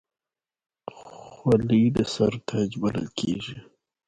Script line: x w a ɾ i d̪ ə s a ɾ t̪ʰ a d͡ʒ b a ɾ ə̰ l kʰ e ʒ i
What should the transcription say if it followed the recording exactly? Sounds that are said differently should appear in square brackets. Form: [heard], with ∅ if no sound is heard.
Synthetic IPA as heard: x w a [l] i d̪ ə s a ɾ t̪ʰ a d͡ʒ b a [l] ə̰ l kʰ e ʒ i